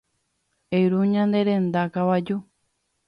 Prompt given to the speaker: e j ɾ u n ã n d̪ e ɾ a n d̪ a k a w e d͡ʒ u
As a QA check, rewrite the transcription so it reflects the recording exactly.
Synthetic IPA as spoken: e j ɾ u ɲ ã n d̪ e ɾ e n d̪ a k a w a d͡ʒ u